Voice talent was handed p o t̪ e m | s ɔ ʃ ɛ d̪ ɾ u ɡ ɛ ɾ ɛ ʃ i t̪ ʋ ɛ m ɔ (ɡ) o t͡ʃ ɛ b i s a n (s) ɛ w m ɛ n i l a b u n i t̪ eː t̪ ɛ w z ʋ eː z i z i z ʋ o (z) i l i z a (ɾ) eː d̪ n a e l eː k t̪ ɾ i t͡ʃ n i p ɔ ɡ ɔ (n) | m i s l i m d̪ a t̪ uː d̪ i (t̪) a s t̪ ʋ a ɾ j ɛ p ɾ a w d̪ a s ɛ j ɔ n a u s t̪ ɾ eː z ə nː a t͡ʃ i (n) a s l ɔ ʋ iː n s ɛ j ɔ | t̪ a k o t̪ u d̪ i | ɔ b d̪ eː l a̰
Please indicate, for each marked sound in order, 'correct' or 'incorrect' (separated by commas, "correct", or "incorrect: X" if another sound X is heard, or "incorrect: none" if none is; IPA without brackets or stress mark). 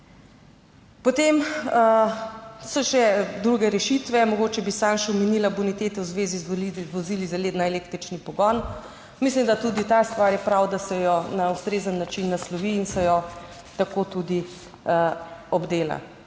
correct, incorrect: ʃ, correct, incorrect: l, correct, correct, incorrect: nː